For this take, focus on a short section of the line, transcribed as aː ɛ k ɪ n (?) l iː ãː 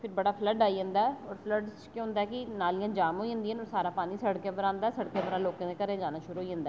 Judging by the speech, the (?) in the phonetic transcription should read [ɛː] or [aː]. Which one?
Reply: aː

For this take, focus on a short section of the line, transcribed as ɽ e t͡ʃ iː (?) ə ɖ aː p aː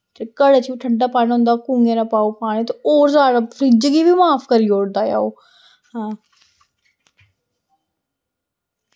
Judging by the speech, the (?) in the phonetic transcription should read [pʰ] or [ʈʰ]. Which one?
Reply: ʈʰ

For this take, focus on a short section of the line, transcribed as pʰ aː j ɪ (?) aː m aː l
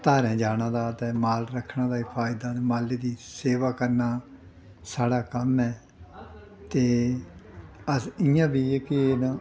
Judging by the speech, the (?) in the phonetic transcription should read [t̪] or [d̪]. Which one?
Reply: d̪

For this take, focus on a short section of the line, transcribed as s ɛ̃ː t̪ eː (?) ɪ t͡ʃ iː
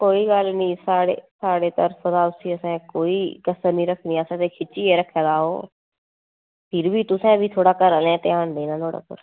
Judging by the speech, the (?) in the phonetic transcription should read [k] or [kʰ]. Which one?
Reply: kʰ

